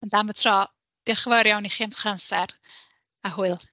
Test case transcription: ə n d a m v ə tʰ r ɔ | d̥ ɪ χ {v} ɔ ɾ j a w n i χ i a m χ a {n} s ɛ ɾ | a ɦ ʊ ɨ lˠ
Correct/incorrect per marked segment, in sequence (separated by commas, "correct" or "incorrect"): correct, correct